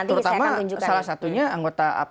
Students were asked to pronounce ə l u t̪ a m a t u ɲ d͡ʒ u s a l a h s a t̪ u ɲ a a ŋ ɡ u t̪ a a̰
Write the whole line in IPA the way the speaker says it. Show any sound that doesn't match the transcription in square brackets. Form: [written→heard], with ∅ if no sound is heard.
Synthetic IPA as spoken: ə [l→ɾ] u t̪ a m a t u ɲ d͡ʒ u s a l a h s a t̪ u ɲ a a ŋ ɡ [u→o] t̪ a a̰

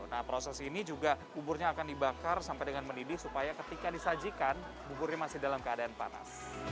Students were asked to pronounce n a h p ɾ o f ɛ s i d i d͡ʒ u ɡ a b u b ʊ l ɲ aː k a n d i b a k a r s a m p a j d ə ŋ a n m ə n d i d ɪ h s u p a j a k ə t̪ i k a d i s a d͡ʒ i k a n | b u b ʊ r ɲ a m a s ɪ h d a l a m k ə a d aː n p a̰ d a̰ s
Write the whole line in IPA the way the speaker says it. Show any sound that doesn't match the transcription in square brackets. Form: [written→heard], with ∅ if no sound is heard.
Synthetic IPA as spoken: n a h p ɾ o [f→s] ɛ s i [d→n] i d͡ʒ u ɡ a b u b ʊ [l→r] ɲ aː k a n d i b a k a r s a m p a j d ə ŋ a n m ə n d i d ɪ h s u p a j a k ə t̪ i k a d i s a d͡ʒ i k a n | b u b ʊ r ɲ a m a s ɪ h d a l a m k ə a d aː n p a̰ [d→n] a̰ s

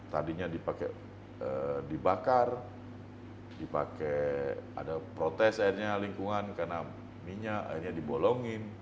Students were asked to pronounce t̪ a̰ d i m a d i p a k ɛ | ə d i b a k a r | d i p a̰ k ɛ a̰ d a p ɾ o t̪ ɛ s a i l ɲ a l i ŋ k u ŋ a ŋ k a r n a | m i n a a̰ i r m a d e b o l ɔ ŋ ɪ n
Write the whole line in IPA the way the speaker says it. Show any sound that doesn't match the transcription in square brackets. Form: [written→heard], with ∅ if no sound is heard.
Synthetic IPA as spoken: t̪ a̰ d i [m→ɲ] a d i p a k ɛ | ə d i b a k a r | d i p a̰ k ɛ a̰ d a p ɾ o t̪ ɛ s a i [l→r] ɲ a l i ŋ k u ŋ a [ŋ→n] k a r n a | m i [n→ɲ] a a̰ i r [m→ɲ] a d [e→i] b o l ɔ ŋ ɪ n

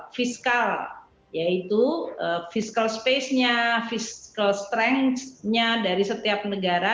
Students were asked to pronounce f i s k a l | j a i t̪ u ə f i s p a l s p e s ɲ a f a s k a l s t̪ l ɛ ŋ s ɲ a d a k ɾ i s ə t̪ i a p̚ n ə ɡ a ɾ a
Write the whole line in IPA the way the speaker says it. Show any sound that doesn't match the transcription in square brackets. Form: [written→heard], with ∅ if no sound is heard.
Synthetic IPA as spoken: f i s k a l | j a i t̪ u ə f i s [p→k] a l s p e s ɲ a f [a→i] s k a l s t̪ [l→ɾ] ɛ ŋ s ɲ a d a [k→∅] ɾ i s ə t̪ i a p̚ n ə ɡ a ɾ a

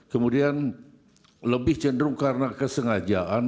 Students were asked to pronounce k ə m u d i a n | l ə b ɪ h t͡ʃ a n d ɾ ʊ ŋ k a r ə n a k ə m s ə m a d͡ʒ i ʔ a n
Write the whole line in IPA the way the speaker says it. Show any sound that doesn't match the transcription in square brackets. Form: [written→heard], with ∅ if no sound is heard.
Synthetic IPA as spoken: k ə m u d i a n | l ə b ɪ h t͡ʃ [a→ə] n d ɾ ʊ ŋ k a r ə n a k ə [m→∅] s ə [m→ŋ] a d͡ʒ [i→a] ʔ a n

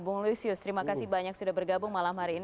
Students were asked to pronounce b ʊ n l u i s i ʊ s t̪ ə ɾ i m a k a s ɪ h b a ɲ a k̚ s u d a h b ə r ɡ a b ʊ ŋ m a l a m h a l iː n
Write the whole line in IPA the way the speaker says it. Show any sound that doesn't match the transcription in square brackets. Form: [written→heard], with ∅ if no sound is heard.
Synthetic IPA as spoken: b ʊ [n→ŋ] l u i s i ʊ s t̪ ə ɾ i m a k a s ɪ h b a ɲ a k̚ s u d a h b ə r ɡ a b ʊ ŋ m a l a m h a [l→ɾ] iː n

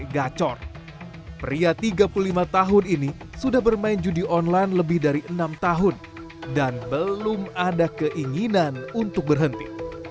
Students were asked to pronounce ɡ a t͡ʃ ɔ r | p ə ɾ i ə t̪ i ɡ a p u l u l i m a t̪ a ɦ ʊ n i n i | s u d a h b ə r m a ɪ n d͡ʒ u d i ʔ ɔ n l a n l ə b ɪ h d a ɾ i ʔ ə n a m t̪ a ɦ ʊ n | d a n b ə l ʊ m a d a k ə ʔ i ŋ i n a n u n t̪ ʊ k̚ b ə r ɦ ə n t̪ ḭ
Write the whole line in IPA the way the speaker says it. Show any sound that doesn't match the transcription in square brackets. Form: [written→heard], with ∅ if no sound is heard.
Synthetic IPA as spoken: ɡ a t͡ʃ ɔ r | p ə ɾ i [ə→a] t̪ i ɡ a p u l u l i m a t̪ a ɦ ʊ n i n i | s u d a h b ə r m a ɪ n d͡ʒ u d i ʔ ɔ n l a n l ə b ɪ h d a ɾ i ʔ ə n a m t̪ a ɦ ʊ n | d a n b ə l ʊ m a d a k ə ʔ i ŋ i n a n u n t̪ ʊ k̚ b ə r ɦ ə n t̪ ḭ

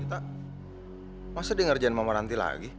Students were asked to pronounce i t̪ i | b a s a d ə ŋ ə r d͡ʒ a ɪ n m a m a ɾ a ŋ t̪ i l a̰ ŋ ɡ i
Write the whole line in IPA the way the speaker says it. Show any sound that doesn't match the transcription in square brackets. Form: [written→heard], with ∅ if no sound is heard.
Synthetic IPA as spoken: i t̪ [i→a] | [b→m] a s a d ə ŋ ə r d͡ʒ a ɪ n m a m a ɾ a [ŋ→n] t̪ i l a̰ [ŋ→∅] ɡ i

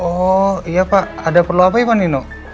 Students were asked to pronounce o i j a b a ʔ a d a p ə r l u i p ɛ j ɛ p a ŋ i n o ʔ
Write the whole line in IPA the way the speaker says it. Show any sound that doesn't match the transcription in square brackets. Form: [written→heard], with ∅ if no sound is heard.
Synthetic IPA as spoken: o i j a [b→p] a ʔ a d a p ə r l u [i→a] p [ɛ→a] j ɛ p a [ŋ→n] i n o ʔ

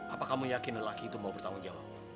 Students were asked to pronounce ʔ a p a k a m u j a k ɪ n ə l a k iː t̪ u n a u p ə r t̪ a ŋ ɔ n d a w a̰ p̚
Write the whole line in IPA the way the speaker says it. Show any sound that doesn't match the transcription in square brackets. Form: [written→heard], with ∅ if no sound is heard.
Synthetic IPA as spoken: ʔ a p a k a m u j a k ɪ n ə l a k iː t̪ u [n→m] a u p ə r t̪ a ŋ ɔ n [d→d͡ʒ] a w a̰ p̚

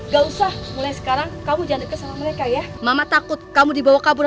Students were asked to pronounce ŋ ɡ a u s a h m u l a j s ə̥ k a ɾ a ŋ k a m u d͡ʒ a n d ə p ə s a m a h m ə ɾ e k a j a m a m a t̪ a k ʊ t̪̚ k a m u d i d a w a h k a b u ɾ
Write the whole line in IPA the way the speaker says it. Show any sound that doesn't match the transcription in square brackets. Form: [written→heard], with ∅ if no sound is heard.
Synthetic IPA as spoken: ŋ ɡ a u s a h m u l a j s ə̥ k a ɾ a ŋ k a m u d͡ʒ a n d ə [p→k] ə s a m a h m ə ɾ e k a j a m a m a t̪ a k ʊ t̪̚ k a m u d i [d→b] a w a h k a b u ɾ

